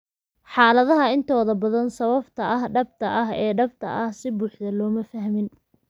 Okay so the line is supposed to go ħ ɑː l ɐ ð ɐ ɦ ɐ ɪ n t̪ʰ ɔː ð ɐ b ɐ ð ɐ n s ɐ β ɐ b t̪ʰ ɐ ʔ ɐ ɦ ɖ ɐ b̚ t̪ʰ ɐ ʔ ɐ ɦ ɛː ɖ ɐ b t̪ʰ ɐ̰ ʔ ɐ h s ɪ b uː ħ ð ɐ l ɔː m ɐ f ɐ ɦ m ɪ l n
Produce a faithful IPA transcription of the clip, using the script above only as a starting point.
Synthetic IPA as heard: ħ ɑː l ɐ ð ɐ ɦ ɐ ɪ n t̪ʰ ɔː ð ɐ b ɐ ð ɐ n s ɐ β ɐ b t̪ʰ ɐ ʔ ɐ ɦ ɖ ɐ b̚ t̪ʰ ɐ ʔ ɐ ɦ ɛː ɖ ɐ b t̪ʰ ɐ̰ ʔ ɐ h s ɪ b uː ħ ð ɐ l ɔː m ɐ f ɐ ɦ m ɪ n